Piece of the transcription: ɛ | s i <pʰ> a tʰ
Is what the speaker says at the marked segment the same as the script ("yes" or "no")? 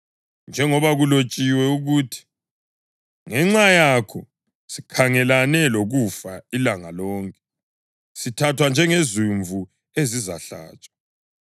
no